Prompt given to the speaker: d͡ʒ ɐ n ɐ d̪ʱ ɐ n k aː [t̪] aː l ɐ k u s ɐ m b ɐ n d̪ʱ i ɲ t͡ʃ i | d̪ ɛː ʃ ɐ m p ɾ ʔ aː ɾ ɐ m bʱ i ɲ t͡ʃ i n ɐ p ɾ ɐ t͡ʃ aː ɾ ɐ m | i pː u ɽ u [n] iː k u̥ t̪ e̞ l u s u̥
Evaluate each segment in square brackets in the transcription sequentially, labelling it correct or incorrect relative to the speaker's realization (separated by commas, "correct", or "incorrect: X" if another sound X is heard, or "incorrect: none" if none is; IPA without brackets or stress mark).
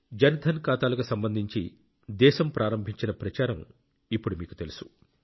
correct, incorrect: m